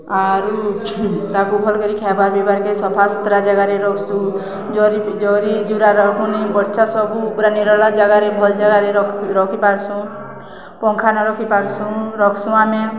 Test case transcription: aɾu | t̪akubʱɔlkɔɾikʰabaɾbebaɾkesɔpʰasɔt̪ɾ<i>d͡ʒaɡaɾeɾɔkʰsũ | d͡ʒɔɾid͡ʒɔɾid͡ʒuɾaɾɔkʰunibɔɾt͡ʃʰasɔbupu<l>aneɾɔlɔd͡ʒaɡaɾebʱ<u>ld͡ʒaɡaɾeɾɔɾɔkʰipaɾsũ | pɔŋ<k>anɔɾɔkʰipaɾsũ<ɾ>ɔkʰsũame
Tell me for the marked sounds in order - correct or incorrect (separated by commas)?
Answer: incorrect, incorrect, incorrect, incorrect, correct